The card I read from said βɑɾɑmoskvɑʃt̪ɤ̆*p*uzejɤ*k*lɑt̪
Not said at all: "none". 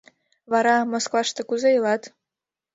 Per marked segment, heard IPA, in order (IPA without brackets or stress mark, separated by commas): k, none